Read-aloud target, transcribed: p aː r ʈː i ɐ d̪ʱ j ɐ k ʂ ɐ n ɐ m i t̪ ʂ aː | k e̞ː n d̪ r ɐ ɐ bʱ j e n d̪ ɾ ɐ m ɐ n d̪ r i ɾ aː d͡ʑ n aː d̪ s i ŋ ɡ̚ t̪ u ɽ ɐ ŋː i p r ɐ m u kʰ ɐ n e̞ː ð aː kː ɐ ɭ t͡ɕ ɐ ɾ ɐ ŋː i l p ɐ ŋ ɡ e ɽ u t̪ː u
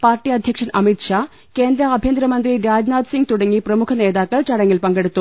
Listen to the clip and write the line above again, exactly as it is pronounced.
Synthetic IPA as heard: p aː r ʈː i ɐ d̪ʱ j ɐ k ʂ ɐ n ɐ m i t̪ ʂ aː | k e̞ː n d̪ ɾ ɐ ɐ bʱ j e n d̪ ɾ ɐ m ɐ n d̪ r i ɾ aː d͡ʑ n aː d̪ s i ŋ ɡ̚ t̪ u ɽ ɐ ŋː i p r ɐ m u kʰ ɐ n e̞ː ð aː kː ɐ ɭ t͡ɕ ɐ ɽ ɐ ŋː i l p ɐ ŋ ɡ e ɽ u t̪ː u